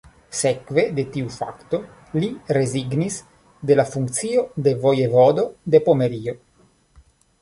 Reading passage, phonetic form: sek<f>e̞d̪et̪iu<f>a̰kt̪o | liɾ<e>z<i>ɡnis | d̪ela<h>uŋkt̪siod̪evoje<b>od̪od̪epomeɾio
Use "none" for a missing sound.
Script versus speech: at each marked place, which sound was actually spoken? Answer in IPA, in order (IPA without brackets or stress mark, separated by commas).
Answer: v, f, e, i, f, v